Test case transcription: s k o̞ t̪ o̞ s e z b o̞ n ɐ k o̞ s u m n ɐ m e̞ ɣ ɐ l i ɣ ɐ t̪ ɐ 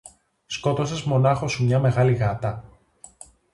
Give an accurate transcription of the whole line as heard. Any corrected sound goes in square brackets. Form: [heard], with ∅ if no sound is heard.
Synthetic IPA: s k o̞ t̪ o̞ s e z [m] o̞ n ɐ [x] o̞ s u m [ɲ] ɐ m e̞ ɣ ɐ l i ɣ ɐ t̪ ɐ